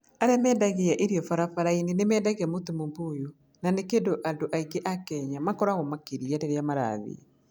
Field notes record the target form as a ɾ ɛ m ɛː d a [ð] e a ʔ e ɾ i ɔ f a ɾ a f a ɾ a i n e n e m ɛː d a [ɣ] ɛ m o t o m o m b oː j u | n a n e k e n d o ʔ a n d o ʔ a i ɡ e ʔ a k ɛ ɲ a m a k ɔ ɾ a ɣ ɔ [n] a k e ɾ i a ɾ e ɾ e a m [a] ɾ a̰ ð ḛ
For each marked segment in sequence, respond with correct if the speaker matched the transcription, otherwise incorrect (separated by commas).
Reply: incorrect, correct, incorrect, correct